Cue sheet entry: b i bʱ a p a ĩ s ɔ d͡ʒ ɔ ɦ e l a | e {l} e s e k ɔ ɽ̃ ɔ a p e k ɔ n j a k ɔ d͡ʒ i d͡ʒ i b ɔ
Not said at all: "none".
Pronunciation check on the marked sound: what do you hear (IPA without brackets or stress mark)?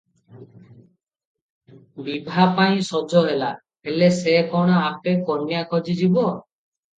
l